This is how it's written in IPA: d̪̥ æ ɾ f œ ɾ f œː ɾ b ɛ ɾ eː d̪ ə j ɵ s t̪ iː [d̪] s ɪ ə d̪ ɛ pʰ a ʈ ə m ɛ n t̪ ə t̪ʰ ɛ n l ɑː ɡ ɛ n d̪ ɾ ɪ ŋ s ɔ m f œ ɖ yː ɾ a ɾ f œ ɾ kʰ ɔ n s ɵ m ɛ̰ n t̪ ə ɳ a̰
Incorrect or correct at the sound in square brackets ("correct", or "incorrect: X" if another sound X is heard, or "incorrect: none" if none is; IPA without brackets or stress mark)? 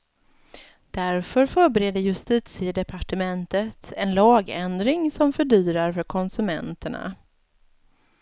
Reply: incorrect: t̪